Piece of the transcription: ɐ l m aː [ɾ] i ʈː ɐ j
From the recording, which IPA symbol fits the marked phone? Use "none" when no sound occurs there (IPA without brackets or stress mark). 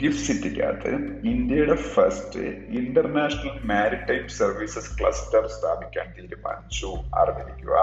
ɾ